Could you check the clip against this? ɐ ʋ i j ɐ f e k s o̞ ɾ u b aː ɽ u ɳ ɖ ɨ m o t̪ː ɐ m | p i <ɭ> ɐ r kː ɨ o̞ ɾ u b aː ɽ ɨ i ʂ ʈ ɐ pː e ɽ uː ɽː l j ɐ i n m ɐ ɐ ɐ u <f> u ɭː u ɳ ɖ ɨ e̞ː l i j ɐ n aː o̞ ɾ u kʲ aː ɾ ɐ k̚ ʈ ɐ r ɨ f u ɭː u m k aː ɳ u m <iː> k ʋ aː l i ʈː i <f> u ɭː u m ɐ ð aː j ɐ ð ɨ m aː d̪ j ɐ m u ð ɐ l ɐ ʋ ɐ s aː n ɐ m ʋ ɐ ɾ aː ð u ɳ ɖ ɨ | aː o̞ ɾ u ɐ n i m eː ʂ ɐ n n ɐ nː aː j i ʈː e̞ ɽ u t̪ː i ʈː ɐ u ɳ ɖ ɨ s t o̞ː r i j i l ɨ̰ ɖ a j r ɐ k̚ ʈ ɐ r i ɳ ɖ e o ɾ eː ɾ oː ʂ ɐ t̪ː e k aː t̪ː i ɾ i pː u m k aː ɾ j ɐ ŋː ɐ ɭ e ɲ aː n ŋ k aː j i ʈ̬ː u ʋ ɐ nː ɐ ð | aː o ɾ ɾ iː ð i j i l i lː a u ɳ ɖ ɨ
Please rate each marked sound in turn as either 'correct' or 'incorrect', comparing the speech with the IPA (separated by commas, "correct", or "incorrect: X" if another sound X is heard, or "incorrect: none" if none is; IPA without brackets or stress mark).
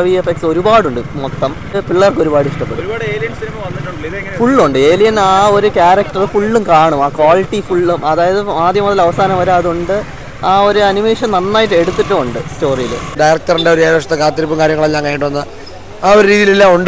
incorrect: ɭː, correct, incorrect: aː, correct